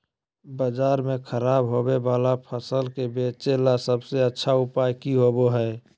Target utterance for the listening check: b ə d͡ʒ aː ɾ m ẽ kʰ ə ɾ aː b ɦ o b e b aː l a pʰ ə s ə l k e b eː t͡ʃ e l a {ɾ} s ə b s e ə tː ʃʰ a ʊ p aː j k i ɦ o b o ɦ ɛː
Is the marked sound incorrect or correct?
incorrect